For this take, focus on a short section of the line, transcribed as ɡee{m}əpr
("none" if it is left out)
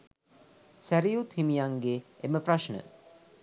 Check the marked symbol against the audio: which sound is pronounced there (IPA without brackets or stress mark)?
m